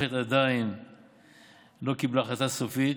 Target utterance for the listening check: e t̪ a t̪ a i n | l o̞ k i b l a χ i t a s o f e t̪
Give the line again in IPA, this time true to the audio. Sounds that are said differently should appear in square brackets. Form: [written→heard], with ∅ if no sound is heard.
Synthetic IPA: e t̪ a [t̪→d̪] a i n | l o̞ k i b l a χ [i→a] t a s o f [e→i] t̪